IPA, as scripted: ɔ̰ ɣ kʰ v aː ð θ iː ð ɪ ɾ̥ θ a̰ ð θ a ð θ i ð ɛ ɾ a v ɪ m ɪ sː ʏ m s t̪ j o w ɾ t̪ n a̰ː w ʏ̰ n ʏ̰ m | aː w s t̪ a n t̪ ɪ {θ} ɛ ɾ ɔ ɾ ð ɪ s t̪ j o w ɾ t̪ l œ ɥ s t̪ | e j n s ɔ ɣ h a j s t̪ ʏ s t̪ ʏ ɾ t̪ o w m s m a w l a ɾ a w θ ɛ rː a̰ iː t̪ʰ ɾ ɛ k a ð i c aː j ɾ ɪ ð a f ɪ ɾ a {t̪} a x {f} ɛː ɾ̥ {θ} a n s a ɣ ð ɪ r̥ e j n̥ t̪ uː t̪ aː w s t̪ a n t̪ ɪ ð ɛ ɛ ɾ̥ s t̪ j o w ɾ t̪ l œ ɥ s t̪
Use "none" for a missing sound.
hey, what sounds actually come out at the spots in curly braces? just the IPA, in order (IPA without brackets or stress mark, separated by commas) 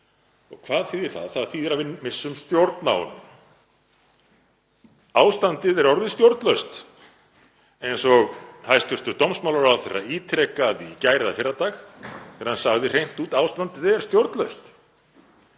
ð, t̪, θ, h